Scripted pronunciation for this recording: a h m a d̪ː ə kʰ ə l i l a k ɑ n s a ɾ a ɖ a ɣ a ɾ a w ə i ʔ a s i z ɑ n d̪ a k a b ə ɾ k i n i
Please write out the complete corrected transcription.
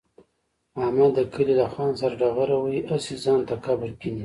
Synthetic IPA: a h m a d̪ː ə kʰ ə l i l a x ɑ n s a ɾ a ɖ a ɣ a ɾ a w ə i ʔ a s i z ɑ n t̪ a k a b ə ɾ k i n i